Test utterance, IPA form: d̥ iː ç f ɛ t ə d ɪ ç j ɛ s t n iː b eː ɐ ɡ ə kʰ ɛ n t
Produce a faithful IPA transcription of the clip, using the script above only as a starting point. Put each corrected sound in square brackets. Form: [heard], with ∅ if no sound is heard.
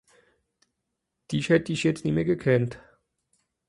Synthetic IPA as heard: d̥ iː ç [h] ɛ t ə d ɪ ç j ɛ [t͡s] t n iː [m] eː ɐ ɡ ə kʰ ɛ n t